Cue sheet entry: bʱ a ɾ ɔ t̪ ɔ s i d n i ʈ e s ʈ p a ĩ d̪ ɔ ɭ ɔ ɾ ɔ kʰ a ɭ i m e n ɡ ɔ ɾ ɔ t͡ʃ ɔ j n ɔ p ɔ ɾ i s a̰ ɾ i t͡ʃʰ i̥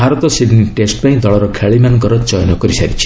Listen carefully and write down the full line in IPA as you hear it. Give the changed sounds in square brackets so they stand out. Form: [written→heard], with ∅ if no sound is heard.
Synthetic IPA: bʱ a ɾ ɔ t̪ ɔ s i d n i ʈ e s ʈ p a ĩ d̪ ɔ ɭ ɔ ɾ ɔ kʰ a ɭ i m [e→a] n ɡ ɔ ɾ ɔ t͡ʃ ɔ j n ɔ [p→k] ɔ ɾ i s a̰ ɾ i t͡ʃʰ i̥